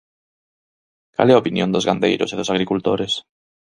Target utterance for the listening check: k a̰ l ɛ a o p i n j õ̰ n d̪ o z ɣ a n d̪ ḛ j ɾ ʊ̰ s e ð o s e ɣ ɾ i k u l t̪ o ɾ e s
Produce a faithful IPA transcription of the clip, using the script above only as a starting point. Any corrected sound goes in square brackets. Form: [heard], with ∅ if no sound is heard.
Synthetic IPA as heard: k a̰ l ɛ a o p i n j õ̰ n d̪ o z ɣ a n d̪ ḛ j ɾ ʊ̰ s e ð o s [a] ɣ ɾ i k u l t̪ o ɾ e s